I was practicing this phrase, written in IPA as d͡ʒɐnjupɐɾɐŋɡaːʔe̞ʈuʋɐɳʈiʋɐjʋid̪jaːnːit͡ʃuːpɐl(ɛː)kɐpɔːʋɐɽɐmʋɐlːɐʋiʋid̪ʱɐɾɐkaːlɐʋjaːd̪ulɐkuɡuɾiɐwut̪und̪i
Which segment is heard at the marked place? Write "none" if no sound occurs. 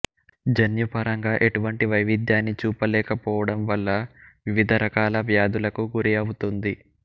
ɛː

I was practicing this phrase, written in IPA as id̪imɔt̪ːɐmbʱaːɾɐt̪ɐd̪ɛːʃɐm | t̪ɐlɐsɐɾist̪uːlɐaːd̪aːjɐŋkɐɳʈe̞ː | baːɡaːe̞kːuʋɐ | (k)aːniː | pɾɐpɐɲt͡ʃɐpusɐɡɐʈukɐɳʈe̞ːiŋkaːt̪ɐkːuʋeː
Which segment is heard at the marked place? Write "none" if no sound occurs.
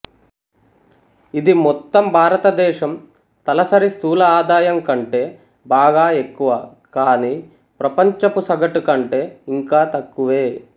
k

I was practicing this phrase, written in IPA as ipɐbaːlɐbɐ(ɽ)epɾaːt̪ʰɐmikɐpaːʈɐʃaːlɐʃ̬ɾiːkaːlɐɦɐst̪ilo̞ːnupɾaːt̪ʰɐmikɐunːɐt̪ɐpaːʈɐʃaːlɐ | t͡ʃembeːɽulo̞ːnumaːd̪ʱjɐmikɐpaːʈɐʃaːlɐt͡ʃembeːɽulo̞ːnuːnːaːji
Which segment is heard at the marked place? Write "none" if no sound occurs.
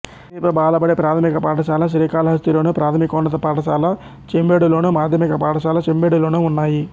ɽ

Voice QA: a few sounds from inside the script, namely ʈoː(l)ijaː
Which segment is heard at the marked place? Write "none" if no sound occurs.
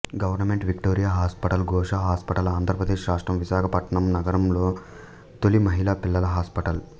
ɾ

